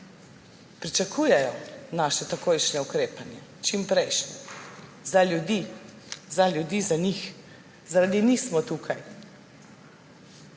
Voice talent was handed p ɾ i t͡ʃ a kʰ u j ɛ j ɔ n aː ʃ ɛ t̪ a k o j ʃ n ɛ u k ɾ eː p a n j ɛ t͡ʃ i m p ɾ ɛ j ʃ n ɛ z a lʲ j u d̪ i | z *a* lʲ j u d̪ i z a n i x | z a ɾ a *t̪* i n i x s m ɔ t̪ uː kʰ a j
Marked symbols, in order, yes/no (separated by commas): yes, no